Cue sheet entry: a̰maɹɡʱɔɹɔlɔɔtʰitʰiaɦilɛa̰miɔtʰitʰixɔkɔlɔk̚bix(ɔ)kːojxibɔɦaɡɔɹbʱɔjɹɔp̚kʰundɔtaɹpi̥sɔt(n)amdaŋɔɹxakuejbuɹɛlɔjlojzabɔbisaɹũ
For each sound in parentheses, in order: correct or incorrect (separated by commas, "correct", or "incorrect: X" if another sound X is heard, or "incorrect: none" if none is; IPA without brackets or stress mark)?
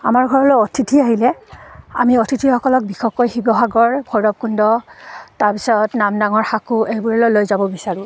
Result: correct, correct